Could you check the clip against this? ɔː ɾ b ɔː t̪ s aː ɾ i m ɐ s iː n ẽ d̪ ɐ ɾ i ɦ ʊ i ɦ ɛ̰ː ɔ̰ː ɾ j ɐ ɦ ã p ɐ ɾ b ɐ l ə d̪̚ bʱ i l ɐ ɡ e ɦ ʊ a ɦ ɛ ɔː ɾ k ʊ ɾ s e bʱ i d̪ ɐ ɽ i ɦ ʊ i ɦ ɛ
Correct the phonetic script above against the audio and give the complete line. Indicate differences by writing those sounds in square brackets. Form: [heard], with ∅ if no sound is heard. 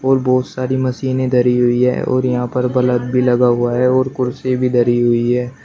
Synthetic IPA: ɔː ɾ b ɔː t̪ s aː ɾ i m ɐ s iː n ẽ d̪ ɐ ɾ i ɦ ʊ i ɦ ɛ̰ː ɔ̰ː ɾ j ɐ ɦ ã p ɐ ɾ b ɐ l ə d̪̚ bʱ i l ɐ ɡ [a] ɦ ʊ a ɦ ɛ ɔː ɾ k ʊ ɾ s e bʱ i d̪ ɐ [ɾ] i ɦ ʊ i ɦ [ɛː]